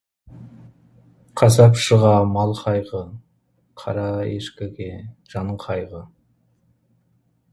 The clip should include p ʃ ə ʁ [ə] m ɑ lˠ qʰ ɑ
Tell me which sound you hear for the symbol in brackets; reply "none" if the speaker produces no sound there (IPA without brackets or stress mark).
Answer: ɑ